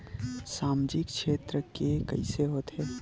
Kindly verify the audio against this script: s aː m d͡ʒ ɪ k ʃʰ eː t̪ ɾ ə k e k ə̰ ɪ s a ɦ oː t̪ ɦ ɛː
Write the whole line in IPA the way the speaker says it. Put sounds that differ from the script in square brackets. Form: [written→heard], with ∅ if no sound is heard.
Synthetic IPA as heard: s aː m d͡ʒ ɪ k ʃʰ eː t̪ ɾ ə k e k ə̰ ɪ s [a→e] ɦ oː t̪ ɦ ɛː